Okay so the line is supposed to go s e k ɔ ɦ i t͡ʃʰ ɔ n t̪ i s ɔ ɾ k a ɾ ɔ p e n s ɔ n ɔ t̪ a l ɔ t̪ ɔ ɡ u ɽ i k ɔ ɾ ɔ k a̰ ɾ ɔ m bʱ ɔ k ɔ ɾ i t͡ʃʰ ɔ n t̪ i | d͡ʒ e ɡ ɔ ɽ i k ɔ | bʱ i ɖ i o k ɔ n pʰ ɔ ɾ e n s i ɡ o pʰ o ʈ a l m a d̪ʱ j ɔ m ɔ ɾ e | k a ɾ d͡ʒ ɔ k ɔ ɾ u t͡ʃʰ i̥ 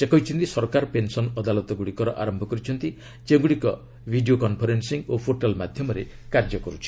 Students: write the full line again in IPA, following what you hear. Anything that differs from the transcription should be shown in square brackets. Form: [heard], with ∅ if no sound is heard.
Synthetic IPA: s e k ɔ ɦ i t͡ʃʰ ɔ n t̪ i s ɔ ɾ k a ɾ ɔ p e n s ɔ n ɔ [d̪] a l ɔ t̪ ɔ ɡ u ɽ i k ɔ ɾ ɔ [ʔ] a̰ ɾ ɔ m bʱ ɔ k ɔ ɾ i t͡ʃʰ ɔ n t̪ i | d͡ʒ e ɡ [u] ɽ i k ɔ | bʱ i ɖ i o k ɔ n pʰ ɔ ɾ e n s i [ŋ] o pʰ o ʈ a l m a d̪ʱ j ɔ m ɔ ɾ e | k a ɾ d͡ʒ ɔ k ɔ ɾ u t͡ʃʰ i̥